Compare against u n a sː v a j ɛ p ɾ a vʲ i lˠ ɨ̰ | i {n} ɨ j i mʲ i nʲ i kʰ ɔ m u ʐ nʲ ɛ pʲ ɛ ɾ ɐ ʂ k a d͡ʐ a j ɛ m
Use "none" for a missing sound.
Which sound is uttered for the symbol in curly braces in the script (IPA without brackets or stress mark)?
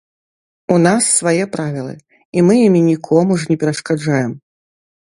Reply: m